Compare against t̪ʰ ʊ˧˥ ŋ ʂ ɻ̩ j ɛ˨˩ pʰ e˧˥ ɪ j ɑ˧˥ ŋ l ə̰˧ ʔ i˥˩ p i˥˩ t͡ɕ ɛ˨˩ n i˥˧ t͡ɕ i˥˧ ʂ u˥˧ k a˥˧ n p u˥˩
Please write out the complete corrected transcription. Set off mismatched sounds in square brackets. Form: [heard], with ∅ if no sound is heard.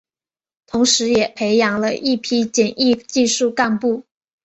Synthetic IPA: t̪ʰ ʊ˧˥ ŋ ʂ ɻ̩ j ɛ˨˩ pʰ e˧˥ ɪ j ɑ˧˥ ŋ l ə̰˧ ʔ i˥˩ [pʰ] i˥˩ t͡ɕ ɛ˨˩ n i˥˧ t͡ɕ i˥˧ ʂ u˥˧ k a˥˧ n p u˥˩